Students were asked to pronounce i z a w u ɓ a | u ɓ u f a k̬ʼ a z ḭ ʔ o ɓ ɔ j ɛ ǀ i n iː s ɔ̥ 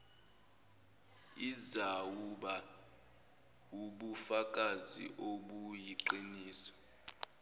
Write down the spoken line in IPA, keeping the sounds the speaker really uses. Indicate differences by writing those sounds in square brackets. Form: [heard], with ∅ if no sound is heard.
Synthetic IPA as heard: i z a w u ɓ a | u ɓ u f a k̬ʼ a z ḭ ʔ o ɓ [u] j [i] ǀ i n iː s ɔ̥